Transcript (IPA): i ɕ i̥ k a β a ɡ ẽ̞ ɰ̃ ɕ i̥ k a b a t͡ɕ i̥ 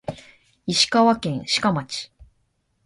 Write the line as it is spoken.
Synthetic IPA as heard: i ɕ i̥ k a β a k ẽ̞ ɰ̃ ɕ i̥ k a m a t͡ɕ i̥